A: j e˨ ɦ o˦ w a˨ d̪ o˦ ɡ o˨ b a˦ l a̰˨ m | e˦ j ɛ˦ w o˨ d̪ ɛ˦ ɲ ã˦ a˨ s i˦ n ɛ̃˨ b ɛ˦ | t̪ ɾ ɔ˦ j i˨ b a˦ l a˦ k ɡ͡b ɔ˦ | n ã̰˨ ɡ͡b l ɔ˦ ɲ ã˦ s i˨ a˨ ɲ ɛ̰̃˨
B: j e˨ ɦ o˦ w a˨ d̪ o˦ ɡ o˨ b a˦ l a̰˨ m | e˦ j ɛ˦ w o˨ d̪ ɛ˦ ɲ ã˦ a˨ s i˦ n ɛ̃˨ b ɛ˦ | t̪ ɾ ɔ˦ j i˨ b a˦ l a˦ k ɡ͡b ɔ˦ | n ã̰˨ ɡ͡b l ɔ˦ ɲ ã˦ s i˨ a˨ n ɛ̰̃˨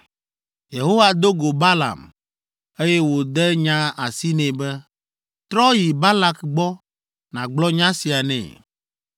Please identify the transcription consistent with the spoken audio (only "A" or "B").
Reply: B